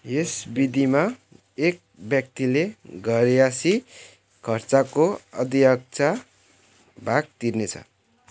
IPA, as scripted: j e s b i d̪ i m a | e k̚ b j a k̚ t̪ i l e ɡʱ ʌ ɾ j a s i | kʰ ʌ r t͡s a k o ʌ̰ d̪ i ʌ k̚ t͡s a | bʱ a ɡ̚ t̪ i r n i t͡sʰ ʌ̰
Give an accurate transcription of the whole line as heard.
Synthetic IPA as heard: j e s b i d̪ i m a | e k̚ b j ʌ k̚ t̪ i l e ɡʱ ʌ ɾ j a s i | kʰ ʌ r t͡s a k o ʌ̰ d̪ i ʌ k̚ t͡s a | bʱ a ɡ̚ t̪ i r n e t͡sʰ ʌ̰

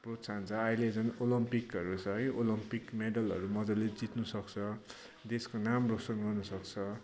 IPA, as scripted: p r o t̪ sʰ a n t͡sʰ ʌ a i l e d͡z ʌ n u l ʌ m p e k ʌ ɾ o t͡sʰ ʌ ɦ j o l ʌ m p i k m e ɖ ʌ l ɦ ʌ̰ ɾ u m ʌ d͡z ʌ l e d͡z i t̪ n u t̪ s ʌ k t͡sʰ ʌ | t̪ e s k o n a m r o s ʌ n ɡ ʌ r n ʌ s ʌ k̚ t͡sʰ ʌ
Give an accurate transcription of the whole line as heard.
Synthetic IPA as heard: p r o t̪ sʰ a n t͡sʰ ʌ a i l e d͡z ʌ n o l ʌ m p i k ʌ ɾ u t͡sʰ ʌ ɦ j o l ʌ m p i k m e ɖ ʌ l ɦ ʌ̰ ɾ u m ʌ d͡z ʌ l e d͡z i t̪ n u s ʌ k t͡sʰ ʌ | d̪ e s k o n a m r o s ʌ n ɡ ʌ r n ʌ s ʌ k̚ t͡sʰ ʌ

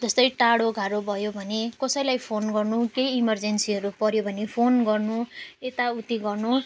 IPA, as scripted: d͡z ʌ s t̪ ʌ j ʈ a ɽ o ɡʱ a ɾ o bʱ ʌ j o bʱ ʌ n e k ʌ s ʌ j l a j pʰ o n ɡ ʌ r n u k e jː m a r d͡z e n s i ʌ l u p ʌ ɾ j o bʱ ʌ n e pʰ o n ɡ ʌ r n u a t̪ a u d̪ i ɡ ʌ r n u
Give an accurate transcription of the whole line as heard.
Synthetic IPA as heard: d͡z ʌ s t̪ ʌ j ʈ a ɽ o ɡʱ a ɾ o bʱ ʌ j o bʱ ʌ n e k ʌ s ʌ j l a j pʰ o n ɡ ʌ r n u k e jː m ʌ r d͡z e n s i ʌ ɾ u p ʌ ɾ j o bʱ ʌ n e pʰ o n ɡ ʌ r n u e t̪ a u t̪ i ɡ ʌ r n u

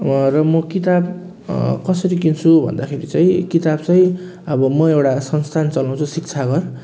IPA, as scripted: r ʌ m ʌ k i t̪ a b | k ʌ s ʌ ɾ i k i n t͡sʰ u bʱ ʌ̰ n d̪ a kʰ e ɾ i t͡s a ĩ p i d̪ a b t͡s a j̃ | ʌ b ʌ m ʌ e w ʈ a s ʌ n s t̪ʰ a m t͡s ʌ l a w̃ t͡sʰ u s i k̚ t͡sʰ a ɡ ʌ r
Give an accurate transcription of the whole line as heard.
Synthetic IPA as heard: r ʌ m ʌ k i t̪ a b | k ʌ s ʌ ɾ i k i n t͡sʰ u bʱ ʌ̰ n d̪ a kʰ e ɾ i t͡s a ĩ k i t̪ a b t͡s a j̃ | ʌ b ʌ m ʌ e w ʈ a s ʌ n s t̪ʰ a n t͡s ʌ l a w̃ t͡sʰ u s i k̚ t͡sʰ a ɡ ʌ r

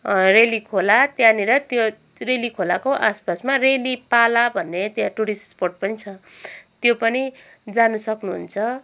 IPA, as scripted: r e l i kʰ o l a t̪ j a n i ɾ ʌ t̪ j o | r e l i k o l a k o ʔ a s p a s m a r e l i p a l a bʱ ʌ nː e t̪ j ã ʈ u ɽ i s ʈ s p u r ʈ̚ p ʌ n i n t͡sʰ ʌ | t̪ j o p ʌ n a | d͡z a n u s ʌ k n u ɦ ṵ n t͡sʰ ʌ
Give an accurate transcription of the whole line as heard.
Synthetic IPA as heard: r e l i kʰ o l a t̪ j a n i ɾ ʌ t̪ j o | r e l i kʰ o l a k o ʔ a s p a s m a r e l i p a l a bʱ ʌ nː e t̪ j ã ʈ u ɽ i s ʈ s p o r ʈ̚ p ʌ n i t͡sʰ ʌ | t̪ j o p ʌ n i | d͡z a n u s ʌ k n u ɦ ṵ n t͡sʰ ʌ

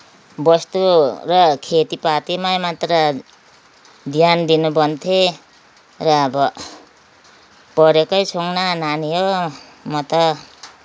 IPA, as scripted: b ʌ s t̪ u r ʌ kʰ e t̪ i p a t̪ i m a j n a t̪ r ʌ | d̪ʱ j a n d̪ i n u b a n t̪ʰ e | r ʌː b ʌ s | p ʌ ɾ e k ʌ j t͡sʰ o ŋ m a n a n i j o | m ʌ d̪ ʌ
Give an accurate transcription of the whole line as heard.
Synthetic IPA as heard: b ʌ s t̪ u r ʌ kʰ e t̪ i p a t̪ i m a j m a t̪ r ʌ | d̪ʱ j a n d̪ i n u b ʌ n t̪ʰ e | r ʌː b ʌ | p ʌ ɾ e k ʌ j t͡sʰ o ŋ n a n a n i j o | m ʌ t̪ ʌ

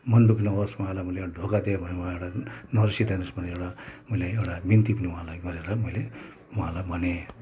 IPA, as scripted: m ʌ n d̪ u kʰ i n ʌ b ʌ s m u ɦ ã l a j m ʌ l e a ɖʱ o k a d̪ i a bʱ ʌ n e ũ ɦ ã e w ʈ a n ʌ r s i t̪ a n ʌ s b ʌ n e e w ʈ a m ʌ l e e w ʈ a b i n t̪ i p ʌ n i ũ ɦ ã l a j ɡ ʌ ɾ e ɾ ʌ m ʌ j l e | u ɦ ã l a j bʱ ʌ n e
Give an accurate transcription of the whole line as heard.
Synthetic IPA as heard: m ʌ n d̪ u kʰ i n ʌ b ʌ s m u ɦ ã l a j m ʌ l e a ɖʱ o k a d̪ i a bʱ ʌ n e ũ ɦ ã e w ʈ a n ʌ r s i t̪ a n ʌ s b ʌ n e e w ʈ a m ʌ l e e w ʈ a b i n t̪ i p ʌ n i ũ ɦ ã l a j ɡ ʌ ɾ e ɾ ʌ m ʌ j l e | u ɦ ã l a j bʱ ʌ n e

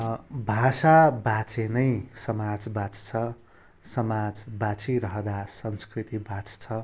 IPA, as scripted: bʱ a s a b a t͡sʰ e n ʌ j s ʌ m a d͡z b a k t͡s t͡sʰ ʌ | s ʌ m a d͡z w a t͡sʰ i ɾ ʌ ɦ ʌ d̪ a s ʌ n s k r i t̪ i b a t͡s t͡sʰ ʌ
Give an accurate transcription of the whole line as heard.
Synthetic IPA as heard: bʱ a s a b a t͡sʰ e n ʌ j s ʌ m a d͡z b a t͡s t͡sʰ ʌ | s ʌ m a d͡z b a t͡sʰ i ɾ ʌ ɦ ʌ d̪ a s ʌ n s k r i t̪ i b a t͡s t͡sʰ ʌ

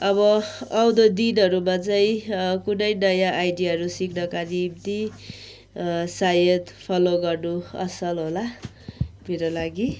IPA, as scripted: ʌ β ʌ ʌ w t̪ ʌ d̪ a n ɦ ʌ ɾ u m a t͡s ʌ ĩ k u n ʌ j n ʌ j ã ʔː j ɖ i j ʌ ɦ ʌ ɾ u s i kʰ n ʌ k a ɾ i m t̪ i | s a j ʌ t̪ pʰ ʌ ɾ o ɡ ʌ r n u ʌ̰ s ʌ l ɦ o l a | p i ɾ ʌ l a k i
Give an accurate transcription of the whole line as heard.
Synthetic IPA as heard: ʌ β ʌ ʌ w d̪ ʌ d̪ i n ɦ ʌ ɾ u m a t͡s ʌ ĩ k u n ʌ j n ʌ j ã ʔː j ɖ i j a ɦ ʌ ɾ u s i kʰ n ʌ k a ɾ i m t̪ i | s a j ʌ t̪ pʰ ʌ l o ɡ ʌ r n u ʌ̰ s ʌ l ɦ o l a | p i ɾ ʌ l a ɡ i

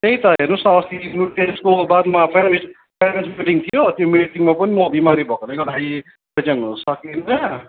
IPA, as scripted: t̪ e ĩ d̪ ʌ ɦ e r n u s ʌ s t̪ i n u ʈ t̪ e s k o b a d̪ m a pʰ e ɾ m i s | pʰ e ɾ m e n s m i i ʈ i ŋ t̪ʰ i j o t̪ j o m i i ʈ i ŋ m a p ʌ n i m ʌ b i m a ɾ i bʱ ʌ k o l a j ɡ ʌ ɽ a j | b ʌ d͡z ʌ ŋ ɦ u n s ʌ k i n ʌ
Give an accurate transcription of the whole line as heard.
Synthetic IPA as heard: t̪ e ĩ t̪ ʌ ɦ e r n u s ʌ s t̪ i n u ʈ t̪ e s k o b a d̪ m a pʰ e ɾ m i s | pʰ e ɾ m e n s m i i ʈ i ŋ t̪ʰ i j o t̪ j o m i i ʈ i ŋ m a p ʌ n i m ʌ b i m a ɾ i bʱ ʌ k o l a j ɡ ʌ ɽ a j | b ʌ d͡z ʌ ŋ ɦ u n s ʌ k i n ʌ

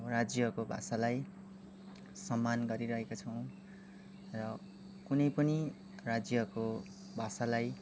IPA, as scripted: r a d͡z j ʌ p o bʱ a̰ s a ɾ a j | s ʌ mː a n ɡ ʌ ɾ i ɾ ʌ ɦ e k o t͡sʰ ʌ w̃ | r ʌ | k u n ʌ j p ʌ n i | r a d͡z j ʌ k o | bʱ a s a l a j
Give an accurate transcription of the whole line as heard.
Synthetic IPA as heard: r a d͡z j ʌ k o bʱ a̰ s a l a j | s ʌ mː a n ɡ ʌ ɾ i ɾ ʌ ɦ e k o t͡sʰ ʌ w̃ | r ʌ | k u n ʌ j p ʌ n i | r a d͡z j ʌ k o | bʱ a s a l a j

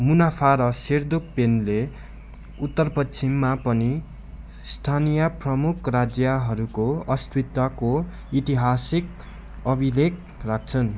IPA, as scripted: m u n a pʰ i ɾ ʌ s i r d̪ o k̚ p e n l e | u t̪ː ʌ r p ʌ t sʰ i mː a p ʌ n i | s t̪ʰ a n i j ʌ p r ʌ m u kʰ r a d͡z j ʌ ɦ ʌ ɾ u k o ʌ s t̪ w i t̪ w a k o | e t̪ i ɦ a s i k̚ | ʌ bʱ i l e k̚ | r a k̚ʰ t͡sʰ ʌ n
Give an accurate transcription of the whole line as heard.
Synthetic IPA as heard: m u n a pʰ a ɾ ʌ s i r d̪ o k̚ p e n l e | u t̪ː ʌ r p ʌ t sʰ i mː a p ʌ n i | s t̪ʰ a n i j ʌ p r ʌ m u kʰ r a d͡z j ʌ ɦ ʌ ɾ u k o ʌ s t̪ w i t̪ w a k o | i t̪ i ɦ a s i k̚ | ʌ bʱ i l e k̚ | r a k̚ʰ t͡sʰ ʌ n

